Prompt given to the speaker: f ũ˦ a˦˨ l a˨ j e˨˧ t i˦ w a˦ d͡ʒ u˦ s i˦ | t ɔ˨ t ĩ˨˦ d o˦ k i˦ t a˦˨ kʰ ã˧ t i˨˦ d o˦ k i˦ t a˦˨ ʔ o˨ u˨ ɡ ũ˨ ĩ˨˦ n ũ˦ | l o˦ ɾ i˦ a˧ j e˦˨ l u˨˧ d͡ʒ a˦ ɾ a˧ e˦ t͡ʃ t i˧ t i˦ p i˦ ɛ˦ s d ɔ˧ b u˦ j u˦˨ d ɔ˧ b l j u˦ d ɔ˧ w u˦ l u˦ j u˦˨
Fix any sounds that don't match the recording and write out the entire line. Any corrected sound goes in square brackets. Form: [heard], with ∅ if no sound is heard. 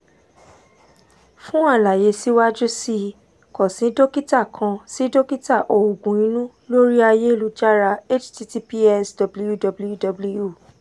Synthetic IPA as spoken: f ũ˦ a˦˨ l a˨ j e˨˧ [s] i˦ w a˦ d͡ʒ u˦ s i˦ | [k] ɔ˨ [s] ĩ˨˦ d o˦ k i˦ t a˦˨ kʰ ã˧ [s] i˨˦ d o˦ k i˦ t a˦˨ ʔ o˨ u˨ ɡ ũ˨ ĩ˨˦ n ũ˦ | l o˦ ɾ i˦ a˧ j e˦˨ l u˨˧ d͡ʒ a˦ ɾ a˧ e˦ t͡ʃ t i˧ t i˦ p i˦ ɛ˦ s d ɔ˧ b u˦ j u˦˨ d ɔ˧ b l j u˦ d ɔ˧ [b] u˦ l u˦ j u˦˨